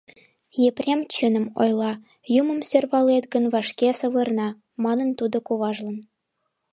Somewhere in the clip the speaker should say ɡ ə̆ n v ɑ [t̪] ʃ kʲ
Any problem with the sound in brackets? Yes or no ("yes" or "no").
yes